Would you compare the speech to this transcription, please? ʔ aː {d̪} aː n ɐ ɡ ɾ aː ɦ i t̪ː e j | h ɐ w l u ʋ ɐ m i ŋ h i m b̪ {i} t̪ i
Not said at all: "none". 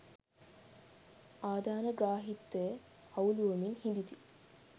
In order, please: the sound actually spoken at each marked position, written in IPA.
d̪, i

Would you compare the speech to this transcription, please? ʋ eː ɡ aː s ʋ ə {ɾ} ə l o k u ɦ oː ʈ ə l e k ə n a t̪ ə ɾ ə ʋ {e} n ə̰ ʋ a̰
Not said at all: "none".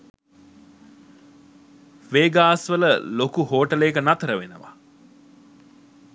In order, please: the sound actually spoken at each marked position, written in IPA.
l, e

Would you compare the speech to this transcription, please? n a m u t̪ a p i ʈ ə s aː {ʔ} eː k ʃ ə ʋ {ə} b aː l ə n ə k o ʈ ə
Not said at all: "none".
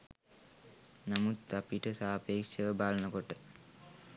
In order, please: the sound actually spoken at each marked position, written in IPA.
p, ə

